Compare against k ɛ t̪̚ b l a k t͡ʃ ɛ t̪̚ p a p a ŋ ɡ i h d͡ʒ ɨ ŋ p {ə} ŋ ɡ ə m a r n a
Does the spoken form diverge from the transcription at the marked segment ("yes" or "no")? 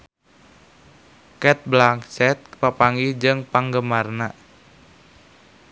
yes